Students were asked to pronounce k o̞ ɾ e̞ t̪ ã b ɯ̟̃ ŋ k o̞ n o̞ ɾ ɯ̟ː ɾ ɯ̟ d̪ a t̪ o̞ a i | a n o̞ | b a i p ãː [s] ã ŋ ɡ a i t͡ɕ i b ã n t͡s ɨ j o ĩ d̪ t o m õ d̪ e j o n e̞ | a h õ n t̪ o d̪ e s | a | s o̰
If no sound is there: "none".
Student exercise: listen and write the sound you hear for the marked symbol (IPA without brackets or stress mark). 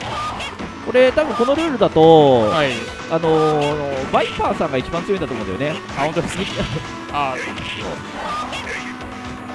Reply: s